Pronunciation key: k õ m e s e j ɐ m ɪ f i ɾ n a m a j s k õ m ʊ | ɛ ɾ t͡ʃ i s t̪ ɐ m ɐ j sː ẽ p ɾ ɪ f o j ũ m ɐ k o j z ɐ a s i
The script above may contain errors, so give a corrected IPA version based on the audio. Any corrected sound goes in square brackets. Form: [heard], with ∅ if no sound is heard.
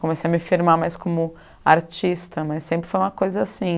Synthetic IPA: k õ m e s e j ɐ m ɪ f i ɾ [m] a m a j s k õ m ʊ | [a] ɾ t͡ʃ i s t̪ ɐ m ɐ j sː ẽ p ɾ ɪ f o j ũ m ɐ k o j z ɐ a s [ĩ]